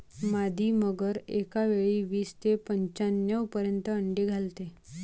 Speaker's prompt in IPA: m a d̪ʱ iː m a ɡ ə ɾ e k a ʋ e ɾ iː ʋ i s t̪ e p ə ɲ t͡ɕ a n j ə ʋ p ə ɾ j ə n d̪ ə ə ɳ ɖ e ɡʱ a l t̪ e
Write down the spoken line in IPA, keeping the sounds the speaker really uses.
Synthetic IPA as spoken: m a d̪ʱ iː m ə ɡ ə ɾ e k a ʋ e ɭ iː ʋ iː s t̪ e p ə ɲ t͡ɕ a n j ə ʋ p ə ɾ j ə n t̪ ə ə ɳ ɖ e ɡʱ a l t̪ e